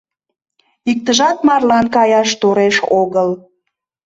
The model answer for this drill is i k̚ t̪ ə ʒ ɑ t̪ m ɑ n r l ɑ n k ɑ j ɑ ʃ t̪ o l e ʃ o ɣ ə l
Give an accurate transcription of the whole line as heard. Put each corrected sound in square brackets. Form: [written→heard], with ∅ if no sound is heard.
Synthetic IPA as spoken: i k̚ t̪ ə ʒ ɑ t̪ m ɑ [n→∅] r l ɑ n k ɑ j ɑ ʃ t̪ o [l→ɾ] e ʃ o ɣ ə l